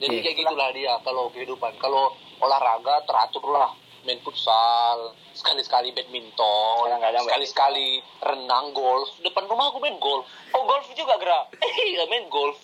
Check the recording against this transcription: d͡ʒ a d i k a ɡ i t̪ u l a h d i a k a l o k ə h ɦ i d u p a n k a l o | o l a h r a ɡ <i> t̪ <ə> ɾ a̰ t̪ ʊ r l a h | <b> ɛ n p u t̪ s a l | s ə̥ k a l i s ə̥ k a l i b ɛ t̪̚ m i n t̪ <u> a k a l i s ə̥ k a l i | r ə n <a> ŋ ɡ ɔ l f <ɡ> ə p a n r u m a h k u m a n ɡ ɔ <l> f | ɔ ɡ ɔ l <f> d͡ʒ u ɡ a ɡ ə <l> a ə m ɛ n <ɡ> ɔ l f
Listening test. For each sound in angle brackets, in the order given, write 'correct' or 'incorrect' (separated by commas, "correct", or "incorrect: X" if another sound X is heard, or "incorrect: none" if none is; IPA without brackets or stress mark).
incorrect: a, correct, incorrect: m, incorrect: ɔ, correct, incorrect: d, correct, correct, incorrect: ɾ, correct